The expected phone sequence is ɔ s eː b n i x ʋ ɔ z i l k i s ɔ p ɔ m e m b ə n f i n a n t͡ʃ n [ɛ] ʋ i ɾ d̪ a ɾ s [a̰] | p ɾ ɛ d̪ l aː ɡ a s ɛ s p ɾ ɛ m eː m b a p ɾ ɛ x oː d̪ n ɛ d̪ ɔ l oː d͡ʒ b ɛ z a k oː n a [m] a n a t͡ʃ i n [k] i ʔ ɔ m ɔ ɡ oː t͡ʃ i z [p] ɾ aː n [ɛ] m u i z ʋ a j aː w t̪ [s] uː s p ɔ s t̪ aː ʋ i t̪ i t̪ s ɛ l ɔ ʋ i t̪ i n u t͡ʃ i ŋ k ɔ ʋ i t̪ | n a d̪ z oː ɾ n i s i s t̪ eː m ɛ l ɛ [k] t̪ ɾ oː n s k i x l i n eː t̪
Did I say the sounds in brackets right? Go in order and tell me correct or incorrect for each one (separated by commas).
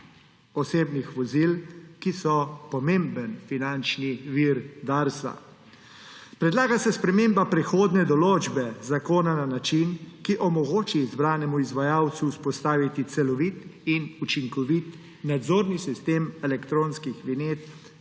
incorrect, correct, incorrect, correct, incorrect, correct, correct, correct